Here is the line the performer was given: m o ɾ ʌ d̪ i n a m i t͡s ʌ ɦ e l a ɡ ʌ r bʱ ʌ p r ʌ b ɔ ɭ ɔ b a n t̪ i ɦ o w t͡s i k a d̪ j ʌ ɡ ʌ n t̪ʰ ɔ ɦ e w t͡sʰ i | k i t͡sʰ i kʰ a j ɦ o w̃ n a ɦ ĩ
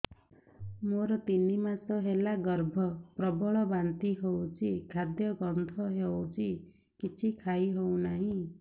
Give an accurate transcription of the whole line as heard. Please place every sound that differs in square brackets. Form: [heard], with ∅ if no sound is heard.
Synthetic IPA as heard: m o ɾ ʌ [t̪] i n [i] m [a] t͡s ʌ ɦ e l a ɡ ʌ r bʱ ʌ p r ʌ b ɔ ɭ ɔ b a n t̪ i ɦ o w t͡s i [kʰ] a d̪ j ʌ ɡ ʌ n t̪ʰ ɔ ɦ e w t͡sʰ i | k i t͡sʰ i kʰ a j ɦ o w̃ n a ɦ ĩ